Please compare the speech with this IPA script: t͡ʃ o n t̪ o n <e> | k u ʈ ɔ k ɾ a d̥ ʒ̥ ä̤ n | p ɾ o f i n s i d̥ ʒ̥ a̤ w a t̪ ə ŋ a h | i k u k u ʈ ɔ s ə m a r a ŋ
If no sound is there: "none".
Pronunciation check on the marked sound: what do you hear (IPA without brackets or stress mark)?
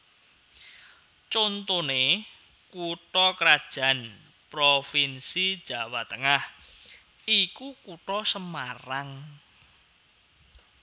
e